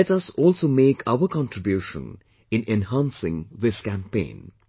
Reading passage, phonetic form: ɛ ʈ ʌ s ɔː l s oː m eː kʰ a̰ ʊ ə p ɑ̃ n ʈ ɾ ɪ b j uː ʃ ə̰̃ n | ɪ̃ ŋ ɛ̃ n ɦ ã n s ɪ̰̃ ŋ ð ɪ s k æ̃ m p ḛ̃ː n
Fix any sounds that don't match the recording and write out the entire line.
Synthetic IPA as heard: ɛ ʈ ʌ s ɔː l s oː m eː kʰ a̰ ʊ ə k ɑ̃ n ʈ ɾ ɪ b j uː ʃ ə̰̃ n | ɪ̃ n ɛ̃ n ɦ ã n s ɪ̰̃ ŋ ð ɪ s k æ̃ m p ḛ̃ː n

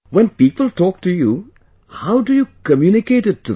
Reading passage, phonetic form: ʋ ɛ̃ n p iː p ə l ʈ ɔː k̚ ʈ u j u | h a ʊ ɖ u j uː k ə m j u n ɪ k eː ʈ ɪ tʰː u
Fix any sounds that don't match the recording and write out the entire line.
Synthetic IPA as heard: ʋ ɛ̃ n p iː p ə l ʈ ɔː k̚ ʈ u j u | h a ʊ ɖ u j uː k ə m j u n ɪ k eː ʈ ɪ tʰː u

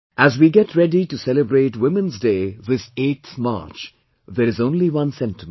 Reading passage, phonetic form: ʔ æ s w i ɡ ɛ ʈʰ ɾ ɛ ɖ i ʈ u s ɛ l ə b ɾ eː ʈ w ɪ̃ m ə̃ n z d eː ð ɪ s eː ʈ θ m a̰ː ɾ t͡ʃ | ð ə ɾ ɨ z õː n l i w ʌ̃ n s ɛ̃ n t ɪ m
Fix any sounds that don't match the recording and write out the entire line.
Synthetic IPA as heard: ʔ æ z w i ɡ ɛ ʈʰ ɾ ɛ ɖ i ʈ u s ɛ l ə b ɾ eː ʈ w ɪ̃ m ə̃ n z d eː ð ɪ s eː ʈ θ m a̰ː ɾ t͡ʃ | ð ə ɾ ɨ z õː n l i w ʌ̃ n s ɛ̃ n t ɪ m

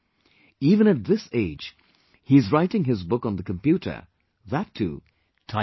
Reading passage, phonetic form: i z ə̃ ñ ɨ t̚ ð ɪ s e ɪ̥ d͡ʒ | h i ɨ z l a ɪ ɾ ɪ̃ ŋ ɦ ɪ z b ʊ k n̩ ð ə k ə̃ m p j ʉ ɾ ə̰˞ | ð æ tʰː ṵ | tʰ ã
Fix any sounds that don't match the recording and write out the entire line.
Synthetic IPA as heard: i v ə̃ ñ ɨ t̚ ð ɪ s e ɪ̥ d͡ʒ | h i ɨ z ɹ a ɪ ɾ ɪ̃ ŋ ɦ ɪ z b ʊ k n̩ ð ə k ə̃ m p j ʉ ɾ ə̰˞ | ð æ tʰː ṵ | tʰ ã

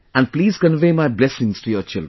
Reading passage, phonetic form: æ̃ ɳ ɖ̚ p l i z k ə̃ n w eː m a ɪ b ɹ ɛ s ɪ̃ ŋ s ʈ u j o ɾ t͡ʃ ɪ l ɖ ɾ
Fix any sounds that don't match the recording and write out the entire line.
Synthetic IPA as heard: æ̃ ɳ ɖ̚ p l iː z k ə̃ n ʋ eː m a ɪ b l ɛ s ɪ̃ ŋ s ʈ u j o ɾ t͡ʃ ɪ l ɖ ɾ

